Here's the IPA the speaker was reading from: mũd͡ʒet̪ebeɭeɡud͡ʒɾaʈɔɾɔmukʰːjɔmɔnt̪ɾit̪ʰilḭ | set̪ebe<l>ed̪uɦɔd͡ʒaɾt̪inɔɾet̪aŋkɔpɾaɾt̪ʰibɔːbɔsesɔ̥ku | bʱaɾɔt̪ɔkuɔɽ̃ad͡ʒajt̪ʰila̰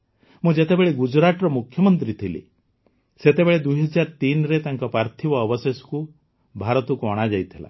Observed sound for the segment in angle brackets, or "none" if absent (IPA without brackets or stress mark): ɭ